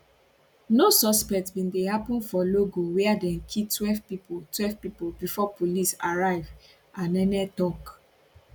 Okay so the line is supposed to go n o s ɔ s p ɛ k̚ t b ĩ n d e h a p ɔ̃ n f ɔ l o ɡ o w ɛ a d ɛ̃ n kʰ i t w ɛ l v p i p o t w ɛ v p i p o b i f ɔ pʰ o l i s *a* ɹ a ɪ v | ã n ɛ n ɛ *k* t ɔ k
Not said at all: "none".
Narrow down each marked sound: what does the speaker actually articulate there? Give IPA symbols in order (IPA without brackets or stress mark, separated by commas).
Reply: a, none